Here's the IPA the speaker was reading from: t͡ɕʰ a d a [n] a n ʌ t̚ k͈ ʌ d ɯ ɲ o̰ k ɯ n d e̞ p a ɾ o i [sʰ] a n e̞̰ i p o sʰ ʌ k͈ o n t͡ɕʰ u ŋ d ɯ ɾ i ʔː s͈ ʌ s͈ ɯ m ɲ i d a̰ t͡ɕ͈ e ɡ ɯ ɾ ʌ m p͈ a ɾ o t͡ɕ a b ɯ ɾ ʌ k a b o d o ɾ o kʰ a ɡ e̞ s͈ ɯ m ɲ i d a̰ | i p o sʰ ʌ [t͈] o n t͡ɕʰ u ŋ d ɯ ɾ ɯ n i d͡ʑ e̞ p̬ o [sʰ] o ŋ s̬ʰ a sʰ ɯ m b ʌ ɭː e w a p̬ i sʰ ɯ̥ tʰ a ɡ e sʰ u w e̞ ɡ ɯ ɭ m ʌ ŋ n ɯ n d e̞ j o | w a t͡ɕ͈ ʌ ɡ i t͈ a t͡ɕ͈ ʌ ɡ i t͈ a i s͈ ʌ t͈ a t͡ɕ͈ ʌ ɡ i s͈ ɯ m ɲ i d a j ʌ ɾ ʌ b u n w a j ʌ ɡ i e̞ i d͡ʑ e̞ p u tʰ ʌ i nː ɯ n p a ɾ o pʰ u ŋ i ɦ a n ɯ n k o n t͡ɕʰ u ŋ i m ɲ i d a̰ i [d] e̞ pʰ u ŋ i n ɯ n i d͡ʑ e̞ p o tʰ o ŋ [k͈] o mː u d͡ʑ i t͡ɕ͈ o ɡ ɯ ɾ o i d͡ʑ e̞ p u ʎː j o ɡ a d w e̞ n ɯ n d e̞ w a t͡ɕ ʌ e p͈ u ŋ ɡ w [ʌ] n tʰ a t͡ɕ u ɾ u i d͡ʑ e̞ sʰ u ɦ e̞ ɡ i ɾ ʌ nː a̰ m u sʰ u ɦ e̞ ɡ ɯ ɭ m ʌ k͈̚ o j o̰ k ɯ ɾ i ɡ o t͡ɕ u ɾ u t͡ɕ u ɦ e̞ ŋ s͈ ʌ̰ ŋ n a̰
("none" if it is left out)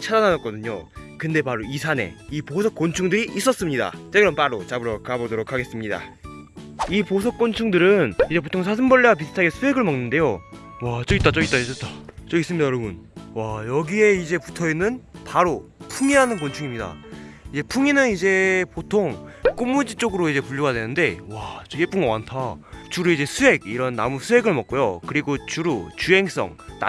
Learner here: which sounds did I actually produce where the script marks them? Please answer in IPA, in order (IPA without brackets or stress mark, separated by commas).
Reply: n, sʰ, k͈, tʰ, d͡ʑ, k͈, a